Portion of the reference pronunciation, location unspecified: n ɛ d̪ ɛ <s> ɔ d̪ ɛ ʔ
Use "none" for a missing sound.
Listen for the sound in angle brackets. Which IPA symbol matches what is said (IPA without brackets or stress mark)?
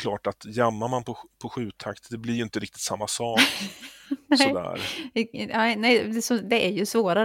s